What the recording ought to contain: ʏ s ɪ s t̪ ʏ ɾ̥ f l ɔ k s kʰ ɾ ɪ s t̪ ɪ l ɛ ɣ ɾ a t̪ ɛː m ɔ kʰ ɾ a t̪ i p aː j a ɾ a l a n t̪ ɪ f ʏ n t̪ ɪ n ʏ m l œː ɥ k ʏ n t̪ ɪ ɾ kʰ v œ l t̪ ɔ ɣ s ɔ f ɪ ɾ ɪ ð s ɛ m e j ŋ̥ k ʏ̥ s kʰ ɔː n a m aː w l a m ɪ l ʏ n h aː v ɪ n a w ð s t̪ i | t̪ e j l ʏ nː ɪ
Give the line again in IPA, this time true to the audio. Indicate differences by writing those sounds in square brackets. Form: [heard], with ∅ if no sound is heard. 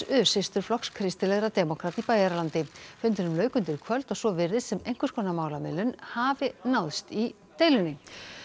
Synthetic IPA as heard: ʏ s ɪ s t̪ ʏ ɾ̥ f l ɔ k s kʰ ɾ ɪ s t̪ ɪ l ɛ ɣ ɾ a t̪ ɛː m ɔ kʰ ɾ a t̪ i p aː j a ɾ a l a n t̪ ɪ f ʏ n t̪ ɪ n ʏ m l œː ɥ k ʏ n t̪ ɪ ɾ kʰ v œ l t̪ ɔ ɣ s ɔ [v] ɪ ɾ ɪ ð s ɛ m e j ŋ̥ k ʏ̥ s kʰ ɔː n a m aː w l a m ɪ l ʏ n h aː v ɪ n a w ð s t̪ i | t̪ e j l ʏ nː ɪ